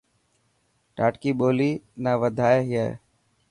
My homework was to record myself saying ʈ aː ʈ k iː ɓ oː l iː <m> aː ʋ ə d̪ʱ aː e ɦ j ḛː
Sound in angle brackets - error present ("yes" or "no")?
yes